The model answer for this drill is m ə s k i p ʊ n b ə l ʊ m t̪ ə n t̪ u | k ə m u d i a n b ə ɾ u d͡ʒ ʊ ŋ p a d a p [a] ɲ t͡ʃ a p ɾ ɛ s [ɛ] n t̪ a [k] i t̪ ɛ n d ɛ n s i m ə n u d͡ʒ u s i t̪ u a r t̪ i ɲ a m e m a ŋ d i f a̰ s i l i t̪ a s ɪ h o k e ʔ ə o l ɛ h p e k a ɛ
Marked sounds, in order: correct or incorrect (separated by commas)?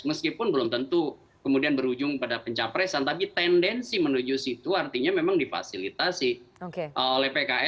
incorrect, incorrect, incorrect